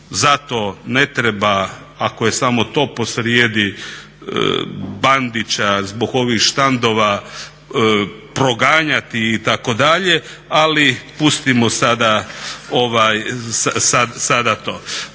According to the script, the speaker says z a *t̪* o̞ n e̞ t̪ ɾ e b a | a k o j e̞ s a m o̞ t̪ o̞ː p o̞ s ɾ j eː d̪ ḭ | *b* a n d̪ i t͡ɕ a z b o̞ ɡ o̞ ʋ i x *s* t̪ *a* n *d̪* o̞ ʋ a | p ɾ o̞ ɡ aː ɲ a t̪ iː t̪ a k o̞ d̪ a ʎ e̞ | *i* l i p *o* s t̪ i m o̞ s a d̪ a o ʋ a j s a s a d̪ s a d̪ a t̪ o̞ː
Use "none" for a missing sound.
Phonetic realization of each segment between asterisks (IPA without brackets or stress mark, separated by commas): t̪, b, ʃ, a, d̪, a, u